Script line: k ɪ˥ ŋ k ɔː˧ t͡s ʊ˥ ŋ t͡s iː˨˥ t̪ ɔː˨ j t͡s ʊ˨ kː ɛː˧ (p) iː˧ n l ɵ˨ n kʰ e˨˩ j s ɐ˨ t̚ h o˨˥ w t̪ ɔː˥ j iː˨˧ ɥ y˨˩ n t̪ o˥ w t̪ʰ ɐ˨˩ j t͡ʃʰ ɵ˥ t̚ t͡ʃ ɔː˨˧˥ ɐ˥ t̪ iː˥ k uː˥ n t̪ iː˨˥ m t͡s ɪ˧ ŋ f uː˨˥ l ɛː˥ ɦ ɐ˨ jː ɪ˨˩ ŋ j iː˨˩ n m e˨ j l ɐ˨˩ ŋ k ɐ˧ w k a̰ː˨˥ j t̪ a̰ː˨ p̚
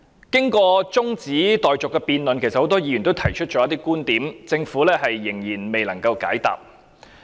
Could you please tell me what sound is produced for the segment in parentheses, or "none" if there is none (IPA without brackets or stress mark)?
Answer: p